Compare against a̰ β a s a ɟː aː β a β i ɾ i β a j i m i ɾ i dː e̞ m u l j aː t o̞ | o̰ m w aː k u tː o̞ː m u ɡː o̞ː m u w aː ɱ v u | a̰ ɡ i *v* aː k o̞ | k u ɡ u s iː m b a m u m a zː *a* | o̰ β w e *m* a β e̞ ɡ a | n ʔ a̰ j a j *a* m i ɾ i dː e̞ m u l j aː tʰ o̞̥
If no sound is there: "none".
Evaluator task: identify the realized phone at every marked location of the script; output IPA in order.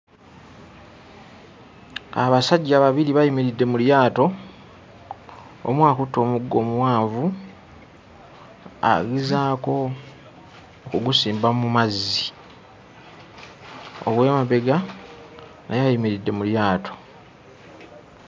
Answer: z, i, m, i

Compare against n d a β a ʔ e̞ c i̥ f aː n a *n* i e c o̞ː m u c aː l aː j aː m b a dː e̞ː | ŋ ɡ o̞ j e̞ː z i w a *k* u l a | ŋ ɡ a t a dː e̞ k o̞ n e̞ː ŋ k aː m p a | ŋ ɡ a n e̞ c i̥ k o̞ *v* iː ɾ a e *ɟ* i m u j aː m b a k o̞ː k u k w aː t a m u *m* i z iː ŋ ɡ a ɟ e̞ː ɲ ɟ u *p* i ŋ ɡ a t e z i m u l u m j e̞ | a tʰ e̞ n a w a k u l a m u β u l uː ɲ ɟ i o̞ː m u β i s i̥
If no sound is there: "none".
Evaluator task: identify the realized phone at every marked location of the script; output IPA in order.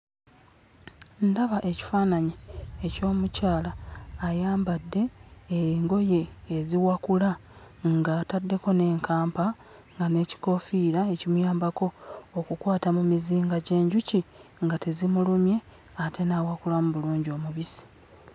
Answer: ɲ, k, f, c, m, c

